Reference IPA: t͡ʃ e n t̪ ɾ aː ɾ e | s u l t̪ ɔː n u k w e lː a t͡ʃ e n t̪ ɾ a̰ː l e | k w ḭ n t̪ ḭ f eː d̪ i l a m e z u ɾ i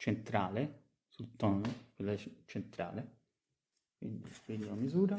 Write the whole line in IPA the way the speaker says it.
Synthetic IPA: t͡ʃ e n t̪ ɾ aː l e | s u l t̪ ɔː n o k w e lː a t͡ʃ e n t̪ ɾ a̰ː l e | k w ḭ n d̪ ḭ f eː d̪ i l a m i z uː ɾ a